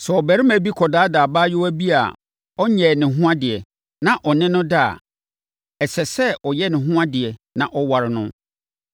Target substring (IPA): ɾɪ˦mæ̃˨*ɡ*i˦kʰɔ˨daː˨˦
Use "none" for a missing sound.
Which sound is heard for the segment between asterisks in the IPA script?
b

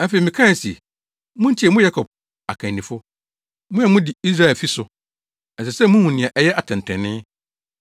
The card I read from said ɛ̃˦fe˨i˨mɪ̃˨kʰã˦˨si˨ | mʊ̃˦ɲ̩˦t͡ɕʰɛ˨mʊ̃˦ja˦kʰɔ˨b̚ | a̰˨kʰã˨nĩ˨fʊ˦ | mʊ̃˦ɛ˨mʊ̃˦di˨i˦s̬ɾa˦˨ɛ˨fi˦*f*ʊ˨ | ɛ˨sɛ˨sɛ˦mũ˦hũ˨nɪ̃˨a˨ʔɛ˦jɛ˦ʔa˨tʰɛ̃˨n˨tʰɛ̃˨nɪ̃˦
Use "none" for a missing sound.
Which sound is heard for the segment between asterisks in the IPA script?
s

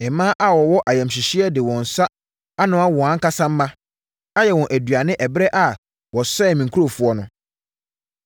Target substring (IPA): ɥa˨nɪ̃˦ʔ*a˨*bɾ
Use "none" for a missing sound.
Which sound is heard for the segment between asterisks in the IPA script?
ɛ˨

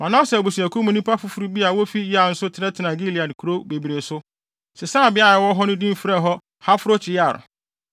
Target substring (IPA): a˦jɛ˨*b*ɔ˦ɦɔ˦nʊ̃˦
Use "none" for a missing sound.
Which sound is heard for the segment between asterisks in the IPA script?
w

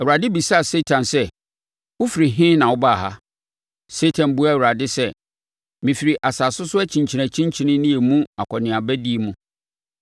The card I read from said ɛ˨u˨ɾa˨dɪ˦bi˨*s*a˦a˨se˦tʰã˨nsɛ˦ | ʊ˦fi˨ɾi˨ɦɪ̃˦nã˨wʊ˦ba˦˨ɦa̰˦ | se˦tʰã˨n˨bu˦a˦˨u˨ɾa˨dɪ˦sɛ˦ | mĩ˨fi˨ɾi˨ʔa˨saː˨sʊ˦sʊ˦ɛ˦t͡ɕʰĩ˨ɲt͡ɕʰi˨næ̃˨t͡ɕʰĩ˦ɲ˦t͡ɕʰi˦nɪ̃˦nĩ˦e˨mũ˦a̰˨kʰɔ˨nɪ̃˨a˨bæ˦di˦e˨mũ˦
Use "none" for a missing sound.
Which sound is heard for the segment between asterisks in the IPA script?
s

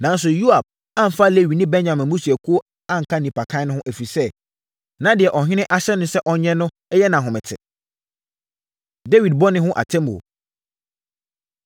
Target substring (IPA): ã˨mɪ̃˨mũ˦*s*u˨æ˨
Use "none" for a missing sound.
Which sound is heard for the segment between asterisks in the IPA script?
s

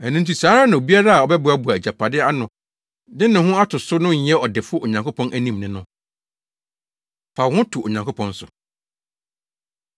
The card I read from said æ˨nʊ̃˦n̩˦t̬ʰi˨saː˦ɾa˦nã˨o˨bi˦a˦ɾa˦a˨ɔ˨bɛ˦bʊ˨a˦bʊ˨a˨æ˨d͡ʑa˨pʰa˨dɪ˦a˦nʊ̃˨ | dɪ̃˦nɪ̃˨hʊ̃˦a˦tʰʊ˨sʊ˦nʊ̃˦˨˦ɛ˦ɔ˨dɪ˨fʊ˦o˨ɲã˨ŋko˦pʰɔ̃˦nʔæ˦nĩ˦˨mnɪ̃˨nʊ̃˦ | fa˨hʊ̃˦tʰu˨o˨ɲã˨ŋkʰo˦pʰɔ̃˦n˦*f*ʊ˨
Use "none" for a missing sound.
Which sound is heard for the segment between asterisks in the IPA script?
s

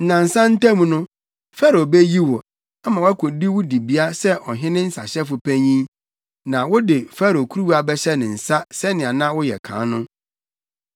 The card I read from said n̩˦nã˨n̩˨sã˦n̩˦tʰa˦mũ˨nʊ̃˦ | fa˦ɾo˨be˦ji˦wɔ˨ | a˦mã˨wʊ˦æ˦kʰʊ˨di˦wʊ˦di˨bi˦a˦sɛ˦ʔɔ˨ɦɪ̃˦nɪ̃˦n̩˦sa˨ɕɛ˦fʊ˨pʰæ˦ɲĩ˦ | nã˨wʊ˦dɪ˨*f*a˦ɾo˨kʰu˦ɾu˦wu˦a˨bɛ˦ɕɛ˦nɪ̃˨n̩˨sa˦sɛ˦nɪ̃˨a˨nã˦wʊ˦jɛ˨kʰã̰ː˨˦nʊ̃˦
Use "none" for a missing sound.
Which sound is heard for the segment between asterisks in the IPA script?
f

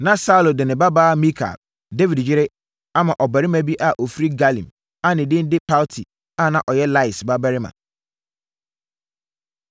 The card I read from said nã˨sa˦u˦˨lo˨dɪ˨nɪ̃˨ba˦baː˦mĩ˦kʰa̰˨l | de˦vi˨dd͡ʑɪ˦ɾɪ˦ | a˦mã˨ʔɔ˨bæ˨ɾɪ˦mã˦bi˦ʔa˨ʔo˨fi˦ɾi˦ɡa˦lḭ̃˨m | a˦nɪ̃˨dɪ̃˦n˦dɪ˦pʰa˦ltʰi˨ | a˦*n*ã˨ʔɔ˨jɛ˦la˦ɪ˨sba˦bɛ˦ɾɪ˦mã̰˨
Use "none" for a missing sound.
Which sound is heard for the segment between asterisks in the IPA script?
n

